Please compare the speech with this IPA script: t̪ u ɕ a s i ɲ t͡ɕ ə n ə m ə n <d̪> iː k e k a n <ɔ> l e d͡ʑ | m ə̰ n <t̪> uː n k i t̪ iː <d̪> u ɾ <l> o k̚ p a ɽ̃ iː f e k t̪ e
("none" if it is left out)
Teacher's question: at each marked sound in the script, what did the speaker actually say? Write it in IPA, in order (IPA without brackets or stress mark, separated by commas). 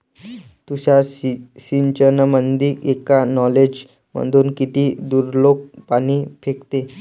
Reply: d̪, ɔ, d̪, d̪, l